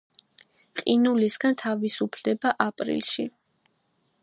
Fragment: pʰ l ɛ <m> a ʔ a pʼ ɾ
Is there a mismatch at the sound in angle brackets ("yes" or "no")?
yes